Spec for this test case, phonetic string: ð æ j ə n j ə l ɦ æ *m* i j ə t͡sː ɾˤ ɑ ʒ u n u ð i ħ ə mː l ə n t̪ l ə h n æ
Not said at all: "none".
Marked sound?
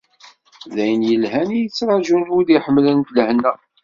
n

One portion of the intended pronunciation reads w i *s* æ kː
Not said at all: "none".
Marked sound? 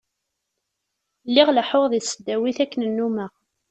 θ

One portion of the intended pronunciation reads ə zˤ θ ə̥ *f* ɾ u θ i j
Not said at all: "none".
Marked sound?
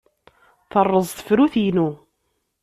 f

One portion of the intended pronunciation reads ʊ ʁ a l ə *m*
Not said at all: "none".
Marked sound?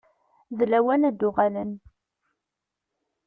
n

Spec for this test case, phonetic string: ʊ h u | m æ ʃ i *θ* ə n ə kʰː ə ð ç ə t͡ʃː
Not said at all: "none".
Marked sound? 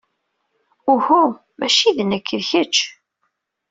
ð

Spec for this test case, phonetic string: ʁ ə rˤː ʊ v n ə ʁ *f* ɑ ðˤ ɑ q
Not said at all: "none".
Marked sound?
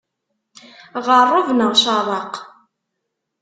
ʃ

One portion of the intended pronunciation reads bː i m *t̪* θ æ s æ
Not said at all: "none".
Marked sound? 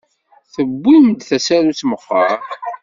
d̪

